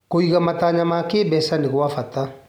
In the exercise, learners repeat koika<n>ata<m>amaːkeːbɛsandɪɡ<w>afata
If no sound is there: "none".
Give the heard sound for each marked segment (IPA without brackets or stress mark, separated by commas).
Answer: m, ɲ, w